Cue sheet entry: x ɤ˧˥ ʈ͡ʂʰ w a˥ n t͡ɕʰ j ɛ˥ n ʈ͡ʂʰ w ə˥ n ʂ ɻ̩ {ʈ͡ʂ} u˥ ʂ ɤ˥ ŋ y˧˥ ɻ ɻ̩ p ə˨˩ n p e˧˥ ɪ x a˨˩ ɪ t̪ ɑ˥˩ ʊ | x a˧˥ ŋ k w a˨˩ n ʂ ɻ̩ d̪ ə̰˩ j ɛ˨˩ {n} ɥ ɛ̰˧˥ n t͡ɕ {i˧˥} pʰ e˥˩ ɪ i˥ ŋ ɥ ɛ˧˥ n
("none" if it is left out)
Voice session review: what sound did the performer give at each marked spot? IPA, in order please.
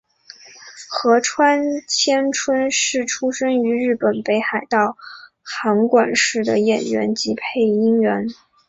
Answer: ʈ͡ʂʰ, n, i˧˥

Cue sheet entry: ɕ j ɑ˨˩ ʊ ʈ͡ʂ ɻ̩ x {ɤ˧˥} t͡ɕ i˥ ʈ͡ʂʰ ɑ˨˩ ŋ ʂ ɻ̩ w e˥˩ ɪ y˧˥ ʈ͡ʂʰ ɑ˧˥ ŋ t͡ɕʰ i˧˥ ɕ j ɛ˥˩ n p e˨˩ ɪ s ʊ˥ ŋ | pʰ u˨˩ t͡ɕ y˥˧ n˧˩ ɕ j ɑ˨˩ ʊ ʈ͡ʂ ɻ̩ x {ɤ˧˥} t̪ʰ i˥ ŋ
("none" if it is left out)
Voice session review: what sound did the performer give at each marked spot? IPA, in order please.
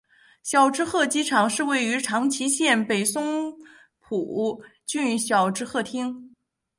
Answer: ɤ˥˩, ɤ˥˩

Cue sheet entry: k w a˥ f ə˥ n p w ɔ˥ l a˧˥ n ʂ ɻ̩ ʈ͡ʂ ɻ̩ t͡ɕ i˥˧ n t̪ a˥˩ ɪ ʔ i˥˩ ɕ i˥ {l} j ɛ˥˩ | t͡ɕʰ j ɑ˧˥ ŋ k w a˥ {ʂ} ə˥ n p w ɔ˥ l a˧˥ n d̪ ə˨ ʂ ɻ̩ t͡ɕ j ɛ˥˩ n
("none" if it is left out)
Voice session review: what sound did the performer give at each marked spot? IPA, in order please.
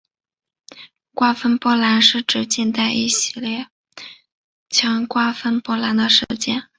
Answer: l, f

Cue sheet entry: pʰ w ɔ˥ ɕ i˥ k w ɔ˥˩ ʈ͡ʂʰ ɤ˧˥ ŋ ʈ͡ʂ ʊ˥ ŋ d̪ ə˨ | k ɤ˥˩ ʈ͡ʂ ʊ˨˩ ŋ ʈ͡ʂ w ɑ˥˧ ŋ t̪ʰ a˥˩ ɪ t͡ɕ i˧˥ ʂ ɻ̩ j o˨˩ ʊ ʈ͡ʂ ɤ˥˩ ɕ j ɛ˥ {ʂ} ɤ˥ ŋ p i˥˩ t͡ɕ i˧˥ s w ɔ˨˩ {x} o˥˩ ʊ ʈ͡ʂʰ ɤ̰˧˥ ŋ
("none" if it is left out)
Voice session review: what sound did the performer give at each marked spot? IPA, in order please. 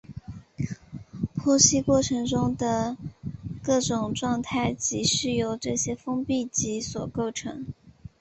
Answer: f, k

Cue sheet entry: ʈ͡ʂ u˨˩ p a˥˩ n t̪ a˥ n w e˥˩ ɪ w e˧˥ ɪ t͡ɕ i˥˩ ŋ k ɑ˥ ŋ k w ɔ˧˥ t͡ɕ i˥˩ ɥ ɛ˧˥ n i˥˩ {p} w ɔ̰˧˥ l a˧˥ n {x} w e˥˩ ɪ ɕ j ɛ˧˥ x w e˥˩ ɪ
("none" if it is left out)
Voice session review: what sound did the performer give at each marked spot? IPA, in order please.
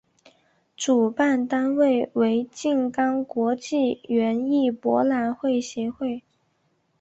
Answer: p, x

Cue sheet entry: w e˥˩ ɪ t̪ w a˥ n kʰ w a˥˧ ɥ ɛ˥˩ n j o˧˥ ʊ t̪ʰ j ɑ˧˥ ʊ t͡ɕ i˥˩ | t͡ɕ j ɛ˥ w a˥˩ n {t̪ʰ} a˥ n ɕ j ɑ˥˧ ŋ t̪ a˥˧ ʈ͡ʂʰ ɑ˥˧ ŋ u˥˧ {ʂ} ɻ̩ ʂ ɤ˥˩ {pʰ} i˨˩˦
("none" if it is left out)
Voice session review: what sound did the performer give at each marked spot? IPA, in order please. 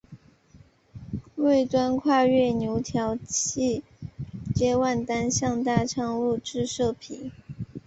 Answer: t̪, ʈ͡ʂ, pʰ

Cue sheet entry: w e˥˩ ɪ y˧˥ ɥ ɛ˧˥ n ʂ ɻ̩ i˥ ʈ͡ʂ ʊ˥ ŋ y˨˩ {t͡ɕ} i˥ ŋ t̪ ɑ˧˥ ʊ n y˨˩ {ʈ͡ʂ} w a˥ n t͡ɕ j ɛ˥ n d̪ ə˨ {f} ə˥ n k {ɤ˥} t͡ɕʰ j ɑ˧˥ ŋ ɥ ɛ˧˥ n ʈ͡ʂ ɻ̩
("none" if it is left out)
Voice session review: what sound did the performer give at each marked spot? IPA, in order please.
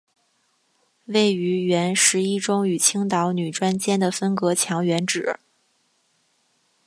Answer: t͡ɕʰ, ʈ͡ʂ, f, ɤ˧˥

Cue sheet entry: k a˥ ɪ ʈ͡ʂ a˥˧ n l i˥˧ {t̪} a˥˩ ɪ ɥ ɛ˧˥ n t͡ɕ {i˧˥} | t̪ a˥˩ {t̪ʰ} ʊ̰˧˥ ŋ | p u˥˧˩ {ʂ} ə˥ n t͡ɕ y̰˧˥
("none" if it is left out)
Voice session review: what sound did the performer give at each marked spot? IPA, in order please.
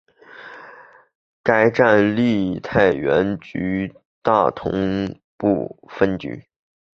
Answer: t̪ʰ, y˧˥, t̪ʰ, f

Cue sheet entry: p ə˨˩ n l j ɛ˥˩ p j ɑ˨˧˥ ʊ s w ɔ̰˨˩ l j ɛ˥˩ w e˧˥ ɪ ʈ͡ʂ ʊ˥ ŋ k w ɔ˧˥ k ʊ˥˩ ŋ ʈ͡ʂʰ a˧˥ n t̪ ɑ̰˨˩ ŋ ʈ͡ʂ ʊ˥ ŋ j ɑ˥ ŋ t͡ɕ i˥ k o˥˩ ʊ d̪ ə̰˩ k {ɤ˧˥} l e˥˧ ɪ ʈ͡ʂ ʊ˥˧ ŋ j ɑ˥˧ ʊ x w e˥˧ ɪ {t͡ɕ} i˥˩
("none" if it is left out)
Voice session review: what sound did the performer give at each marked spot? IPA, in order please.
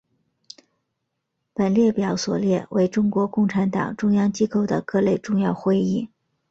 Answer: ɤ˥˧, none

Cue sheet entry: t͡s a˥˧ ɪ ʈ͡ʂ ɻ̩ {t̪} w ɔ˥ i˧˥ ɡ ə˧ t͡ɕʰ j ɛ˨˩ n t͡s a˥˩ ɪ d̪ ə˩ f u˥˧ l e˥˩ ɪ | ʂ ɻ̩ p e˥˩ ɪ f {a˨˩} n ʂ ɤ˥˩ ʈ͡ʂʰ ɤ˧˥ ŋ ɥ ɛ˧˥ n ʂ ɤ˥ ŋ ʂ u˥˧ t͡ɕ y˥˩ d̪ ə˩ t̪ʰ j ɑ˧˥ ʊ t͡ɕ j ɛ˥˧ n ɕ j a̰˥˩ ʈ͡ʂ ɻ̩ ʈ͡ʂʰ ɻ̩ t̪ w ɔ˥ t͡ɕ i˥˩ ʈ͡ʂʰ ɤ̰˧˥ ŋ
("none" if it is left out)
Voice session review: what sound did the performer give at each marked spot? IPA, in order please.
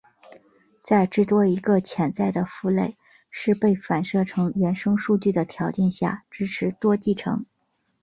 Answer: t̪, a˨˩

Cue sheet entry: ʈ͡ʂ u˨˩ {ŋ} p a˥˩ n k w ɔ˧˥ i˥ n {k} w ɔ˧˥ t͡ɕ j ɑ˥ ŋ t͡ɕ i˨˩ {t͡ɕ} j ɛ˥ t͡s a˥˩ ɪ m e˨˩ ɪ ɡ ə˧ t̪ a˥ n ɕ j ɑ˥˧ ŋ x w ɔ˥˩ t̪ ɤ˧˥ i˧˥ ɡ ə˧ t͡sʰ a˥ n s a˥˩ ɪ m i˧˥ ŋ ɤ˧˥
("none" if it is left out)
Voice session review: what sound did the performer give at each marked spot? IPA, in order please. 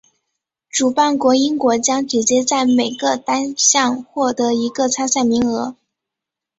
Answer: none, k, t͡ɕ

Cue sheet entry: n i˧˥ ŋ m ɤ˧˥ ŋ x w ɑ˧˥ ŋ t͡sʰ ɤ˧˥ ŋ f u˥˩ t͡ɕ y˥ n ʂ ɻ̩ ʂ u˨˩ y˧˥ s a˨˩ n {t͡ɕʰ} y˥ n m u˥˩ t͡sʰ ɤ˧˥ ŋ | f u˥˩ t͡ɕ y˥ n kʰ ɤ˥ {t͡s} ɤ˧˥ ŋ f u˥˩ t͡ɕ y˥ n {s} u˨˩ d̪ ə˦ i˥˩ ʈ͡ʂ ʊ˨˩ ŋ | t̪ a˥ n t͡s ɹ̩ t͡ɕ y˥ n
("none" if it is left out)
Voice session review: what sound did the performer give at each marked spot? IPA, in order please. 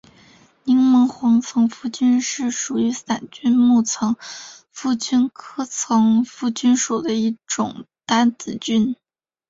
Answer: t͡ɕ, t͡sʰ, ʂ

